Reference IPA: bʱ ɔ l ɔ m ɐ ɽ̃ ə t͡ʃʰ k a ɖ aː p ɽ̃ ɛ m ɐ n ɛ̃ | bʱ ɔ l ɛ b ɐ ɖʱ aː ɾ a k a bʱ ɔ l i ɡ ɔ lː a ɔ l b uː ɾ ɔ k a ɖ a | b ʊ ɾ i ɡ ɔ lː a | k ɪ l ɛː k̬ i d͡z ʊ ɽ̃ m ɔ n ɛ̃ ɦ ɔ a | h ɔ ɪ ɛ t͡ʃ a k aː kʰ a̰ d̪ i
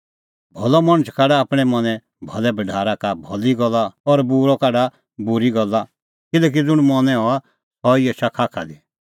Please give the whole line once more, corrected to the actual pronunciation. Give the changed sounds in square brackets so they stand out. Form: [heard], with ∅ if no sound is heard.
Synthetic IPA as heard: bʱ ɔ l ɔ m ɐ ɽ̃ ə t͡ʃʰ k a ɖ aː p ɽ̃ ɛ m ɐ n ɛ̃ | bʱ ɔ l ɛ b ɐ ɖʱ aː ɾ a k a bʱ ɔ l i ɡ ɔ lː a ɔ [ɾ] b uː ɾ ɔ k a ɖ a | b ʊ ɾ i ɡ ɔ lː a | k ɪ l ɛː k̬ i d͡z ʊ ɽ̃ m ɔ n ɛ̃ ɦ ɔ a | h ɔ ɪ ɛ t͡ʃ a [kʰ] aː kʰ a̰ d̪ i